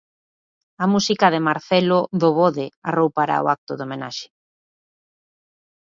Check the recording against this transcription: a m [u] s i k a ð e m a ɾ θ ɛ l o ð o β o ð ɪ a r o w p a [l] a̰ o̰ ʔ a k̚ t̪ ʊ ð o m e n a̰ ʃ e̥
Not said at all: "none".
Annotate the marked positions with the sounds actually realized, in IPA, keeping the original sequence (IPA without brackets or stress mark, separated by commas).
u, ɾ